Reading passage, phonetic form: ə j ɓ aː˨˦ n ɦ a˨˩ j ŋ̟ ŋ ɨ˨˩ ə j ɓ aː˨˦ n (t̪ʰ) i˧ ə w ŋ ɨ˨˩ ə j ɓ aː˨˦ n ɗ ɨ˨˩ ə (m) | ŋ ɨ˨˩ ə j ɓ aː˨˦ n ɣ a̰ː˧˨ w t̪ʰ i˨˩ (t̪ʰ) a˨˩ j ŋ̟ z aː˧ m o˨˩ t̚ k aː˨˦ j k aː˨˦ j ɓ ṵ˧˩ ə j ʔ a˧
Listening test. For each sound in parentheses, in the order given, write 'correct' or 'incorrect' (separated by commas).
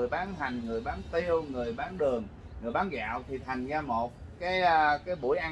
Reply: incorrect, incorrect, correct